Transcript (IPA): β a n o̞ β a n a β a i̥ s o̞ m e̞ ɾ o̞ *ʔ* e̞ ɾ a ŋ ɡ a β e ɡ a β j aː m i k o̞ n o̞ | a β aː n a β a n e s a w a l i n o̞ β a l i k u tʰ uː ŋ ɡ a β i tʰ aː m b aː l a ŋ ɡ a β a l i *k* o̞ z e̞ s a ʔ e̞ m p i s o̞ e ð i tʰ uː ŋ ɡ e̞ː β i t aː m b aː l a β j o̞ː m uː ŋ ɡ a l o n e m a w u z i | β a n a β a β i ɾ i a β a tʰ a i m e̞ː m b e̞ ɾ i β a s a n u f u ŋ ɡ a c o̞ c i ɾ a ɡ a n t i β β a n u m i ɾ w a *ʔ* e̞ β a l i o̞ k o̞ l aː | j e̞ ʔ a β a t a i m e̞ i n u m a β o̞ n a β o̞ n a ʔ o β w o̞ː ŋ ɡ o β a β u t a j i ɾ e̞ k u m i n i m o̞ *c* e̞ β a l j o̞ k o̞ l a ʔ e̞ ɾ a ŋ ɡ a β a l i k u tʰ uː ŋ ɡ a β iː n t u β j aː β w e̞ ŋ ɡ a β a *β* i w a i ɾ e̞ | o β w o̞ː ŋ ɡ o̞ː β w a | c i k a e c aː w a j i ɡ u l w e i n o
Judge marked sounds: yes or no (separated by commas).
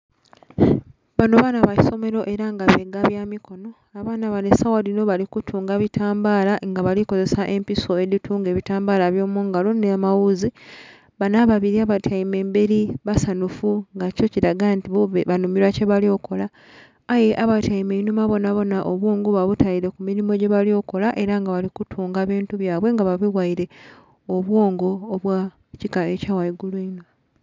yes, yes, no, no, yes